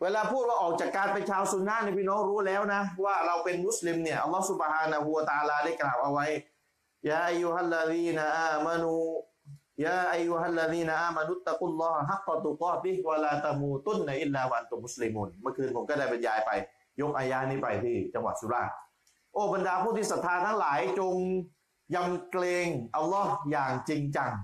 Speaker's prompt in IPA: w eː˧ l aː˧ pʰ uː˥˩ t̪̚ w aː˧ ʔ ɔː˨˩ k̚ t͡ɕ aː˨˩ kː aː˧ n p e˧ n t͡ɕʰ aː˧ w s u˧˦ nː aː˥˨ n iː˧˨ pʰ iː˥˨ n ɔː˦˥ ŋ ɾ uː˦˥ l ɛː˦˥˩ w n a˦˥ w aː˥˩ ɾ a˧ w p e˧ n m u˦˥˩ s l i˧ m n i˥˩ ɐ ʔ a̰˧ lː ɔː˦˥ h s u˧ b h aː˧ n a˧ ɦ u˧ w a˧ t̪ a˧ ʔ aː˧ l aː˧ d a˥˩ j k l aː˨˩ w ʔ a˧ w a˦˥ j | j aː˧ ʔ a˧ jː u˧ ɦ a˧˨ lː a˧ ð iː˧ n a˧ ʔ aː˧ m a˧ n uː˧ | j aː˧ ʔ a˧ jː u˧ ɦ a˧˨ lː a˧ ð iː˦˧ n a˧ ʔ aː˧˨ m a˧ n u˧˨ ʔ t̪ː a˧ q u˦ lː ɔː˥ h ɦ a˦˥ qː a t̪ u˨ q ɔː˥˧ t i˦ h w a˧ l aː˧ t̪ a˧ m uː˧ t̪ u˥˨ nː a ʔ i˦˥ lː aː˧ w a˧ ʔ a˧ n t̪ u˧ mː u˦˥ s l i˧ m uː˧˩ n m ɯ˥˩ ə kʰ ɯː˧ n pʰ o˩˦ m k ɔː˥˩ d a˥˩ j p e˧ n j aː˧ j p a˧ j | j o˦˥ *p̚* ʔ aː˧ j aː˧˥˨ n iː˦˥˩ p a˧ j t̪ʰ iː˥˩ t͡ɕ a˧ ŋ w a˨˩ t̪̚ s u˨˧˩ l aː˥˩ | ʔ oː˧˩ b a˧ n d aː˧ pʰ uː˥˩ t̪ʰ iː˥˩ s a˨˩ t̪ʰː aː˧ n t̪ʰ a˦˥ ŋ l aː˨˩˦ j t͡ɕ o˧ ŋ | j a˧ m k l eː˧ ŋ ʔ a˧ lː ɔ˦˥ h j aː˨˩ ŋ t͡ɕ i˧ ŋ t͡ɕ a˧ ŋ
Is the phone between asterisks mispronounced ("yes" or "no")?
yes